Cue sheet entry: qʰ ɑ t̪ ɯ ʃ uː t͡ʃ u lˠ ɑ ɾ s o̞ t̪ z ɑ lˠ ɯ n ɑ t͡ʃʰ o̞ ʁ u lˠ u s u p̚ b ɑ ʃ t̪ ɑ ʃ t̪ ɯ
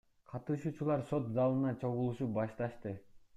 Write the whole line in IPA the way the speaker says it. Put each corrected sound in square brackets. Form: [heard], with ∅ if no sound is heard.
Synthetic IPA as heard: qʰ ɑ t̪ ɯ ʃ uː t͡ʃ u lˠ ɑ ɾ s o̞ t̪ z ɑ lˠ ɯ n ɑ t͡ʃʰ o̞ ʁ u lˠ u [ʃ] u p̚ b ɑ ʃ t̪ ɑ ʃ t̪ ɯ